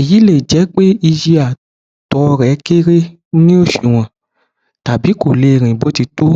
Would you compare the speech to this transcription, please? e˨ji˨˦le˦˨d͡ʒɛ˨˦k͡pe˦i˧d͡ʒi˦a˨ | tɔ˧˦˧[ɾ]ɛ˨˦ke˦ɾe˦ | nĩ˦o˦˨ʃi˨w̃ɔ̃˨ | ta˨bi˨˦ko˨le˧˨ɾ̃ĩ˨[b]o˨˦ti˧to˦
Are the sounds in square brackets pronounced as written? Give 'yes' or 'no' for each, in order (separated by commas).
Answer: yes, yes